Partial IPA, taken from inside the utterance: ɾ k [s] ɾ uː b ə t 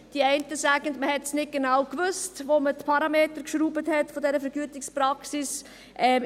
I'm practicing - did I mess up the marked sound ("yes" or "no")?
yes